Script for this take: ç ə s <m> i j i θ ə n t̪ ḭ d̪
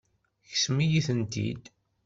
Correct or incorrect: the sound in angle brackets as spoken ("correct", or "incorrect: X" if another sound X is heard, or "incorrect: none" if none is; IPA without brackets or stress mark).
correct